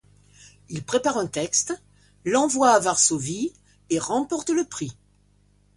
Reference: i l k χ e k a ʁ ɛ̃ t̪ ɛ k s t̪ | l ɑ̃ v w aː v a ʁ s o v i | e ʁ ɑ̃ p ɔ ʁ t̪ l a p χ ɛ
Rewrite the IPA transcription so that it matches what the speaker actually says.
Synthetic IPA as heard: i l p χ e p a ʁ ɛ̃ t̪ ɛ k s t̪ | l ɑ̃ v w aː v a ʁ s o v i | e ʁ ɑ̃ p ɔ ʁ t̪ l ə p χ i